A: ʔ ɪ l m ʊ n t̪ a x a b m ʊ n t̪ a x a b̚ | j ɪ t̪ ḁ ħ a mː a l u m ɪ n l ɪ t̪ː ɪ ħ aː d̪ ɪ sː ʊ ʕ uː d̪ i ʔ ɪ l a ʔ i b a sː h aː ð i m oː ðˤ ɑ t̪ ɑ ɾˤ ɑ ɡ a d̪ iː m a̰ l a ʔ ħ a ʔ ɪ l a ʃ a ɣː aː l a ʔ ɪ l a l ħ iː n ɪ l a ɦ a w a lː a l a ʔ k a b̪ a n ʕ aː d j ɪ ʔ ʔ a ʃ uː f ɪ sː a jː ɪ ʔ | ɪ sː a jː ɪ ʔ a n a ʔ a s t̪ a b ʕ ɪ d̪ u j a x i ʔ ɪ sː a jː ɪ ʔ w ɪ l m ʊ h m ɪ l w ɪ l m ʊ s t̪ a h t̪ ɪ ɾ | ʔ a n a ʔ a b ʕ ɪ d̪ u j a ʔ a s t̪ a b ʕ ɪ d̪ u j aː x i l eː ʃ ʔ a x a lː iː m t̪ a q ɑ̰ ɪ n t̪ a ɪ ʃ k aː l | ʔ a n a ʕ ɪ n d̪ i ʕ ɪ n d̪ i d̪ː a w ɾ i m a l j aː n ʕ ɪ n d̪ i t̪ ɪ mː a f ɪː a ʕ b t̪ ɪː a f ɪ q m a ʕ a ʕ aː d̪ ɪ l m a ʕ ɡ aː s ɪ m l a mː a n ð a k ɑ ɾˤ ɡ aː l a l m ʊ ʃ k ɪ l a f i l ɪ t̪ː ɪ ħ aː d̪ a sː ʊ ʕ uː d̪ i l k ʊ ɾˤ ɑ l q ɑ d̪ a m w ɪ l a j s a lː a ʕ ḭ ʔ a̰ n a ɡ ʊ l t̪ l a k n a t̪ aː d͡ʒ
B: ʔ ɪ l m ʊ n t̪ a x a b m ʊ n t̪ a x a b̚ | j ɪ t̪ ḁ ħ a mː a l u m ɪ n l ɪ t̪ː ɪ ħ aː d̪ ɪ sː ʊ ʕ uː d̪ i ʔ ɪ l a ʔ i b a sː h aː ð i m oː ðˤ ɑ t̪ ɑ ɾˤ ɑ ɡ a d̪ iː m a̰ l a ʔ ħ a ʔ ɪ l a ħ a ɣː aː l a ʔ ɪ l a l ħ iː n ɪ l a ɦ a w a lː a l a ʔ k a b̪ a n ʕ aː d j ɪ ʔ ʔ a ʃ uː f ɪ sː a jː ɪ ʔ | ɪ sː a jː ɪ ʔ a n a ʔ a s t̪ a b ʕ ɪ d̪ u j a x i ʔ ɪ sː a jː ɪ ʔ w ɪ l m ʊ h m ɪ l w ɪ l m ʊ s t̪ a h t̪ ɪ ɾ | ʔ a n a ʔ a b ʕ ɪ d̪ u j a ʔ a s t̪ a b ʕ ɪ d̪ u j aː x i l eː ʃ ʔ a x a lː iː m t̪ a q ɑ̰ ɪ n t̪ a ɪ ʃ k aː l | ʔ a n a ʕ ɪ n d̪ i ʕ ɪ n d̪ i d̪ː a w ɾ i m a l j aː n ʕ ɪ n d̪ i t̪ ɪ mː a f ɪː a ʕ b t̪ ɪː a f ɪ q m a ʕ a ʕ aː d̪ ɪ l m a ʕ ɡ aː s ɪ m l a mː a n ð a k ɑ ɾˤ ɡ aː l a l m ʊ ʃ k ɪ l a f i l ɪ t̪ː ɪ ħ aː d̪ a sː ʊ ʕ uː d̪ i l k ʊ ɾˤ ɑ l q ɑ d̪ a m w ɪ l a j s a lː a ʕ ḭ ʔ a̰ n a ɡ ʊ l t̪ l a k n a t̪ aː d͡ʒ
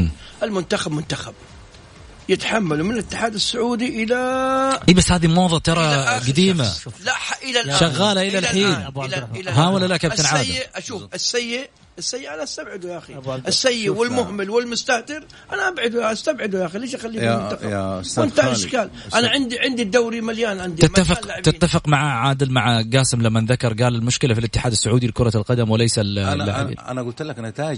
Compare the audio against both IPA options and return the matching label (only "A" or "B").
A